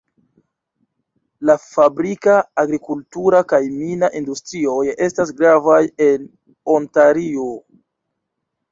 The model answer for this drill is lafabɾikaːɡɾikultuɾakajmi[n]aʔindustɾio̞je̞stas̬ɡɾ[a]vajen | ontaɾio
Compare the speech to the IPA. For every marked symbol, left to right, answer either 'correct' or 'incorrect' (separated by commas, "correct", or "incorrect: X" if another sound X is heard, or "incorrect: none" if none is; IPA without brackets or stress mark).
correct, correct